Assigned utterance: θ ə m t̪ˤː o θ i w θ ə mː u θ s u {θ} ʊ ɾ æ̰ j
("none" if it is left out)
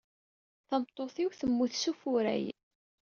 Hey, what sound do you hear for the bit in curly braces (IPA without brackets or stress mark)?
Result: f